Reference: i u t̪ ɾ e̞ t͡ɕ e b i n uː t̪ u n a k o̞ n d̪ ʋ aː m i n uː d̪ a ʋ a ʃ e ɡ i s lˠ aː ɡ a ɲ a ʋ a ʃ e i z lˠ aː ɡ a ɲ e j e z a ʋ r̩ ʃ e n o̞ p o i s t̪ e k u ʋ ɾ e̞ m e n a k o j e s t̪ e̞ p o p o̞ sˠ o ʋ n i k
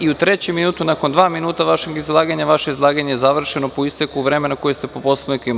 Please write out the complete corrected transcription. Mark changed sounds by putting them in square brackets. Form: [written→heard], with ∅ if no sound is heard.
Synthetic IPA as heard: i u t̪ ɾ e̞ t͡ɕ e [b→m] i n uː t̪ u n a k o̞ n d̪ ʋ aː m i n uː [d̪→t̪] a ʋ a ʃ e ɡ i [s→z] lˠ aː ɡ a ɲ a ʋ a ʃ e i z lˠ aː ɡ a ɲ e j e z a ʋ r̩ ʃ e n o̞ p o i s t̪ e k u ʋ ɾ e̞ m e n a k o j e s t̪ e̞ p o p o̞ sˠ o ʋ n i k